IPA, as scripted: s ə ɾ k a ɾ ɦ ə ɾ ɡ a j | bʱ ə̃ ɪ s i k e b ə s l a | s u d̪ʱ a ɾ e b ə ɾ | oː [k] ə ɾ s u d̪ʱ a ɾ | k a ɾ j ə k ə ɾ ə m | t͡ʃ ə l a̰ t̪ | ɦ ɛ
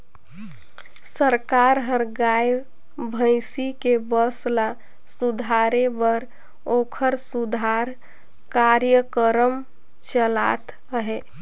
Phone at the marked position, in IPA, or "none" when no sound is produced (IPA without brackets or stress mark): kʰ